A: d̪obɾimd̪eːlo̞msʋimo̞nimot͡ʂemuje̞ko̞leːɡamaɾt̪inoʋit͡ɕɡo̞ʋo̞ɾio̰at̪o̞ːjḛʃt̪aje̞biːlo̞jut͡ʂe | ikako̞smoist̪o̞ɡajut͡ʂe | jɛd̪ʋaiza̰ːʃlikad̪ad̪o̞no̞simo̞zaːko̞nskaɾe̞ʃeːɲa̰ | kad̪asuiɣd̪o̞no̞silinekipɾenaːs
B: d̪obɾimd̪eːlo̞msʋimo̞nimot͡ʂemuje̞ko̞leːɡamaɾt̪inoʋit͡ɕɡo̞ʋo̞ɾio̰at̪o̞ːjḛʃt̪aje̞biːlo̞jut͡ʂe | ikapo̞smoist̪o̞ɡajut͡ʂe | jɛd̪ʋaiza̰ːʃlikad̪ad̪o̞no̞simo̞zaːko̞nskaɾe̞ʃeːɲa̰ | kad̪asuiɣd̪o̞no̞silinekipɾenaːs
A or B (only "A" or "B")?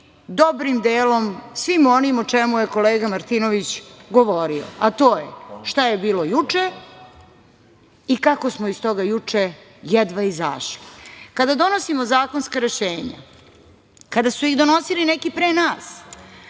A